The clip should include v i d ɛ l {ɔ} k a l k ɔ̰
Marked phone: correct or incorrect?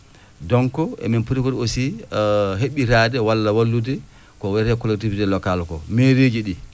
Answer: correct